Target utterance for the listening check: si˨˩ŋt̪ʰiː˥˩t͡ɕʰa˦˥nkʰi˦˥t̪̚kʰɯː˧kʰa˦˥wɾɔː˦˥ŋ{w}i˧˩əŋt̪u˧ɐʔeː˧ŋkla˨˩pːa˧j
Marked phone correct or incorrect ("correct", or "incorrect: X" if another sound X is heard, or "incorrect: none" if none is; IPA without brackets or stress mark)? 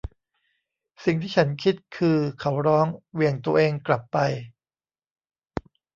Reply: correct